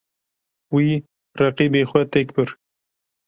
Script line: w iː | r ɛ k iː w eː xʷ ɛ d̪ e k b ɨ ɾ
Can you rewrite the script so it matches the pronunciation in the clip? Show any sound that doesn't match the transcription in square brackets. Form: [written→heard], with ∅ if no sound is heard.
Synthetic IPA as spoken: w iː | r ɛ [k→q] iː [w→b] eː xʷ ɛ [d̪→t̪] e k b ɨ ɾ